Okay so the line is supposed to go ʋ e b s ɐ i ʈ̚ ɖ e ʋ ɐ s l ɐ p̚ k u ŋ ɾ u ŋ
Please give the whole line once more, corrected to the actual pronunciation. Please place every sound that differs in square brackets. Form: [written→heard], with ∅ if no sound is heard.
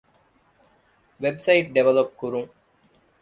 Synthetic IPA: ʋ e b s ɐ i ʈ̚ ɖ e ʋ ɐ [s→∅] l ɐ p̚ k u [ŋ→∅] ɾ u ŋ